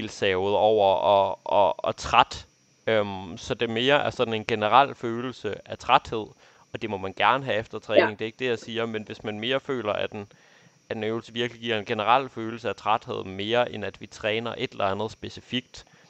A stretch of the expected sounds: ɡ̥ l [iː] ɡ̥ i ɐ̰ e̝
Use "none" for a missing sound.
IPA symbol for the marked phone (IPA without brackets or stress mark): i